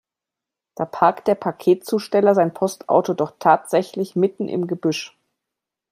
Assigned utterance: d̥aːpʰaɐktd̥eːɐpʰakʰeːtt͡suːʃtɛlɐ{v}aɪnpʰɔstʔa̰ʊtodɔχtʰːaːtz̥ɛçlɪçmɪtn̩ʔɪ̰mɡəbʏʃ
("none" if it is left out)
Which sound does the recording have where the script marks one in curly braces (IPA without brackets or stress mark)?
z